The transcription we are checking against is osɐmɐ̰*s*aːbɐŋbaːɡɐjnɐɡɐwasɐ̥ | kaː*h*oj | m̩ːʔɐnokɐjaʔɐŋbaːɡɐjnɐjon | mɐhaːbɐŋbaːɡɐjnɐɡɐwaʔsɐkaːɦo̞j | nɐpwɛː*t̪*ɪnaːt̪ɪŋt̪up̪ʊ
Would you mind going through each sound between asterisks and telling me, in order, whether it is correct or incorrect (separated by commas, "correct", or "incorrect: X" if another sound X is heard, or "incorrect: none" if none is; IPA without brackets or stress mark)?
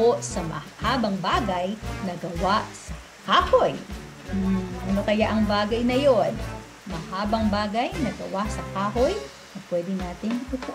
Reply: incorrect: h, correct, incorrect: d̪